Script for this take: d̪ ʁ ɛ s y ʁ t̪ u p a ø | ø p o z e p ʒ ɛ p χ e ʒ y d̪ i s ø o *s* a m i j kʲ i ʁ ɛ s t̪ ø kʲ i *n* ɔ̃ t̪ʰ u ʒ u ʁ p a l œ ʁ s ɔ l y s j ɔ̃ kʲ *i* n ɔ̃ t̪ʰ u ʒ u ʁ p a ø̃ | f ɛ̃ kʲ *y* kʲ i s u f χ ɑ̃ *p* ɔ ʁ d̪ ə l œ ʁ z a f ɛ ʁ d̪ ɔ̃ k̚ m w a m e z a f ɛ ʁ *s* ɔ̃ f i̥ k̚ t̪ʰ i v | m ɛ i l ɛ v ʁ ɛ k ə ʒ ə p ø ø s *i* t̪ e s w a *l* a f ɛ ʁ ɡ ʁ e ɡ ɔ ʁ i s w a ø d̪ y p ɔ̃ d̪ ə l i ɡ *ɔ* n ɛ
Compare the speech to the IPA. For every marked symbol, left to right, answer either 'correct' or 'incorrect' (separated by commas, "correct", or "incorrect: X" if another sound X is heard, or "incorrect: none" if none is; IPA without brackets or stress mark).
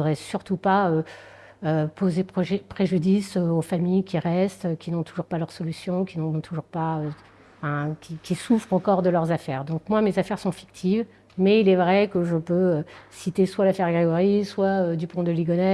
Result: incorrect: f, correct, correct, incorrect: i, incorrect: k, correct, correct, correct, correct